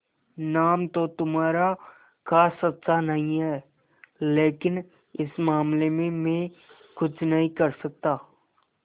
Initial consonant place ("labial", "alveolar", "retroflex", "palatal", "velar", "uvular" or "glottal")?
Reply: alveolar